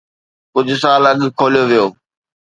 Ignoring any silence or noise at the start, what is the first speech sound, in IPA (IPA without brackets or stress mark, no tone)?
k